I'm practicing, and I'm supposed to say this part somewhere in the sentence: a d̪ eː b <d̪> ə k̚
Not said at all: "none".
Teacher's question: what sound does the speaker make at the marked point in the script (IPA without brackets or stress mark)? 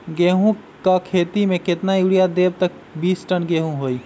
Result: t̪